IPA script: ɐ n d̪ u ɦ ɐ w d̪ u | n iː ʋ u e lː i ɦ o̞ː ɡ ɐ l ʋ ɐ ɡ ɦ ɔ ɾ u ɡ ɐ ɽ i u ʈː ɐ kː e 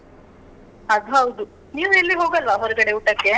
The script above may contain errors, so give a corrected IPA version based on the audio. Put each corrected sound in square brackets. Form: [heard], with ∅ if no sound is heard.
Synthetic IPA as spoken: ɐ [∅] d̪ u ɦ ɐ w d̪ u | n iː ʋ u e lː i ɦ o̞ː ɡ ɐ l ʋ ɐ [∅] ɦ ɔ ɾ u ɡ ɐ ɽ [e] u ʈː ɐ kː e